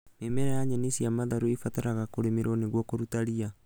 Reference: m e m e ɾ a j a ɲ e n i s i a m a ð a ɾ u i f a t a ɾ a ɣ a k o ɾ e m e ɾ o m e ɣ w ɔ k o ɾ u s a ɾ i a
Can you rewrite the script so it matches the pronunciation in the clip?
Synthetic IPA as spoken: m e m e ɾ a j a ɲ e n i s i a m a ð a ɾ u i f a t a ɾ a ɣ a k o ɾ e m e ɾ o n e ɣ w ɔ k o ɾ u t a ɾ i a